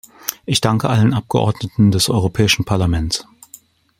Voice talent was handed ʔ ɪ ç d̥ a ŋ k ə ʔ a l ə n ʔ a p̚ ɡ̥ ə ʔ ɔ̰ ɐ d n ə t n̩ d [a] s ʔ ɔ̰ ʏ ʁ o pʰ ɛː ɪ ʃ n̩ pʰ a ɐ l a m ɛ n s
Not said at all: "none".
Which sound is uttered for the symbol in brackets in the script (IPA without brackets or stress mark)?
ɛ